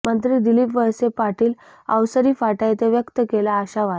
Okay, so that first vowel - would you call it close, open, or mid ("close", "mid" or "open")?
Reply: mid